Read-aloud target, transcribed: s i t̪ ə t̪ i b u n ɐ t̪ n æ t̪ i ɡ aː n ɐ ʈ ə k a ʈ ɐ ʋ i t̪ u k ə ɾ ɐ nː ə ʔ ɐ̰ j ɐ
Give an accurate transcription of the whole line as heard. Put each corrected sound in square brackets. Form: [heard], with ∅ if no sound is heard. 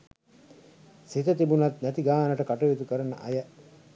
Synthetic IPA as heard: s i t̪ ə t̪ i b u n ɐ t̪ n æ t̪ i ɡ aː n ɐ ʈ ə k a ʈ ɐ ʋ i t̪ u k ə ɾ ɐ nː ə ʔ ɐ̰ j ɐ